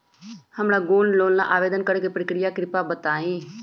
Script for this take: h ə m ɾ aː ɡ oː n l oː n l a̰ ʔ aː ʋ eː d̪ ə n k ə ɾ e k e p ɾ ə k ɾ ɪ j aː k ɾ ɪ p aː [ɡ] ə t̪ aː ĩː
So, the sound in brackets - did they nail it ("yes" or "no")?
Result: no